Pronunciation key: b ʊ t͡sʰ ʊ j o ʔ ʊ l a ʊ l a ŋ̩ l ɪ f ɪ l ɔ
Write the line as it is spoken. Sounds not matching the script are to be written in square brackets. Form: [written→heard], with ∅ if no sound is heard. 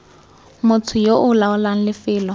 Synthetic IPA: [b→m] ʊ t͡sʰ ʊ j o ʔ ʊ l a ʊ l a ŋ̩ l ɪ f [ɪ→ɪː] l ɔ